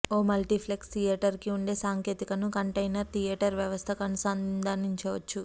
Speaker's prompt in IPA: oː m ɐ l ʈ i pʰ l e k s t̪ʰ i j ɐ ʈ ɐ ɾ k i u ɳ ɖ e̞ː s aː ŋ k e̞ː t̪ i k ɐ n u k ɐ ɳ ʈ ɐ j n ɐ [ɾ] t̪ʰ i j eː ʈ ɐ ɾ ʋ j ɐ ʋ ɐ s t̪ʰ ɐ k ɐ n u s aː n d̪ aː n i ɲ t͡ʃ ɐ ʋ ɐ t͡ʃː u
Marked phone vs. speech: correct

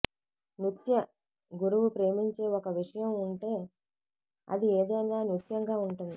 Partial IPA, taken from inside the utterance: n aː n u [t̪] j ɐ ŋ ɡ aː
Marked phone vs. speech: correct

